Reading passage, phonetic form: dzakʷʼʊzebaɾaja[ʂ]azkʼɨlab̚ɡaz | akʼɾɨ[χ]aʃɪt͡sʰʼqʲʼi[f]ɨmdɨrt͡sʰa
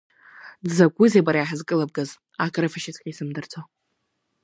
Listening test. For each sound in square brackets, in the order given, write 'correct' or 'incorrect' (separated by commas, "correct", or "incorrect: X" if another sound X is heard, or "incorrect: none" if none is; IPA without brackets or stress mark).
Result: incorrect: ħ, incorrect: f, incorrect: s